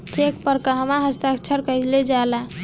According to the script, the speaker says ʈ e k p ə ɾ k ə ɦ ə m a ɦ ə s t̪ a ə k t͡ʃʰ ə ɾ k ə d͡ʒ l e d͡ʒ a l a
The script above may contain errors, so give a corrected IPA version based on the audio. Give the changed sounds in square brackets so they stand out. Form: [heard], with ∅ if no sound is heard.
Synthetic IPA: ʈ e k p ə ɾ k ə ɦ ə m a ɦ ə s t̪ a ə k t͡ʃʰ ə ɾ k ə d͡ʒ l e d͡ʒ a l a

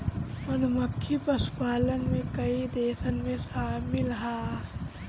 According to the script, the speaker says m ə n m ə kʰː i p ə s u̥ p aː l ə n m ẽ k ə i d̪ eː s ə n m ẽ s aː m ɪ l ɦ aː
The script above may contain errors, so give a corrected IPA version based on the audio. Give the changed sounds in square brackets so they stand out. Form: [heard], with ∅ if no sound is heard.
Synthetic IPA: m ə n m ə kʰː i p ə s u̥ p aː l ə n m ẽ k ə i d̪ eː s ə n m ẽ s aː m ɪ l ɦ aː

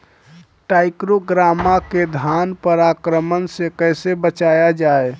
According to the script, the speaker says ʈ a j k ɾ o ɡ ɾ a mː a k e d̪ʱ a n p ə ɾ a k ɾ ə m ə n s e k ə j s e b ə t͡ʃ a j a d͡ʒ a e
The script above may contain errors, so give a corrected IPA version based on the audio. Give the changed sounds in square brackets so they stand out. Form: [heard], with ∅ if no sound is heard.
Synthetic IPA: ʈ a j k ɾ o ɡ ɾ a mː a k e d̪ʱ a n p ə ɾ a k ɾ ə m ə n s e k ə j s e b ə t͡ʃ a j a d͡ʒ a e

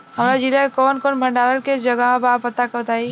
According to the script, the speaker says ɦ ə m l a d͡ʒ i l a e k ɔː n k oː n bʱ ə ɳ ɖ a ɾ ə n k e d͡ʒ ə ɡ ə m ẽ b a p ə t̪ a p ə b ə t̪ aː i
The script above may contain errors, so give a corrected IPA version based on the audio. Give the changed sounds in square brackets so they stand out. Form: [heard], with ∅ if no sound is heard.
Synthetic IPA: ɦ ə m [ɾ] a d͡ʒ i l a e k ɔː n k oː n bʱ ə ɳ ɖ a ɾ ə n k e d͡ʒ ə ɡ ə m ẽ b a p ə t̪ a [k] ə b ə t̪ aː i

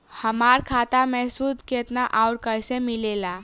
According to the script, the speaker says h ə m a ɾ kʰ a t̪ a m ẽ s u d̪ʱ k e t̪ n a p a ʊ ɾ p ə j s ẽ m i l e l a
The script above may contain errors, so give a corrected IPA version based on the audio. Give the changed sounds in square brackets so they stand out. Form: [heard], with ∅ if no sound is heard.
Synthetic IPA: h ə m a ɾ kʰ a t̪ a m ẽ s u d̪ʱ k e t̪ n a [ʔ] a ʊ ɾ [k] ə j s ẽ m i l e l a

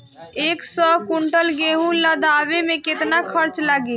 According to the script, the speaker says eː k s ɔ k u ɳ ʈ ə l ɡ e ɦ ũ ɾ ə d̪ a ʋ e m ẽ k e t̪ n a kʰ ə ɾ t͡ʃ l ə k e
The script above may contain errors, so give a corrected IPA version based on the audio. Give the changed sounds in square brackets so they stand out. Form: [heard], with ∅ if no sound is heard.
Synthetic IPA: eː k s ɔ k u ɳ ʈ ə l ɡ e ɦ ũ [l] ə d̪ a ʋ e m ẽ k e t̪ n a kʰ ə ɾ t͡ʃ l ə [ɡ] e

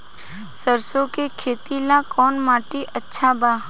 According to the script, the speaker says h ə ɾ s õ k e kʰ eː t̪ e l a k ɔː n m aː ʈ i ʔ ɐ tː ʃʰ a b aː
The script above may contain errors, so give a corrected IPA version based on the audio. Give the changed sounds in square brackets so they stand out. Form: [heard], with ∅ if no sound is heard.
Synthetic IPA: [s] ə ɾ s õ k e kʰ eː t̪ [i] l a k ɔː n m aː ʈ i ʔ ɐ tː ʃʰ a b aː

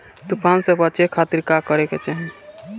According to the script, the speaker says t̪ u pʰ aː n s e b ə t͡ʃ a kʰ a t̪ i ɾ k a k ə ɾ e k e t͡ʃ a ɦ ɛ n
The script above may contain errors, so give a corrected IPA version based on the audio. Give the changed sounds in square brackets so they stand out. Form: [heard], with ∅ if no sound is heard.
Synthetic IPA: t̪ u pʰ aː n s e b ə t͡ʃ [e] kʰ a t̪ i ɾ k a k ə ɾ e k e t͡ʃ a ɦ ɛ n

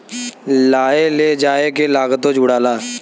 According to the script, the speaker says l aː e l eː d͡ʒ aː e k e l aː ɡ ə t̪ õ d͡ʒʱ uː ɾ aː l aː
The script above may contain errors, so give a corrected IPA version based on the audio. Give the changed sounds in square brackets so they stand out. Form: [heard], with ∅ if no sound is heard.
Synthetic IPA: l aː e l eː d͡ʒ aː e k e l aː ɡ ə t̪ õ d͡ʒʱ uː [ɽ] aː l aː

